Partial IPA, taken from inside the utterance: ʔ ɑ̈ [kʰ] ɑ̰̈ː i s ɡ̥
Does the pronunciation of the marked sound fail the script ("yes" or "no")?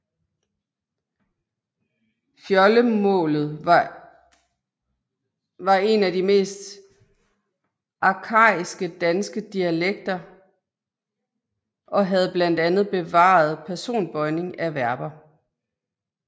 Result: no